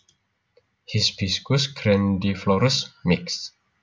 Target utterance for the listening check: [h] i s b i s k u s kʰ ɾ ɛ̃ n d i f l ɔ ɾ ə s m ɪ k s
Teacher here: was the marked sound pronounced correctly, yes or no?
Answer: yes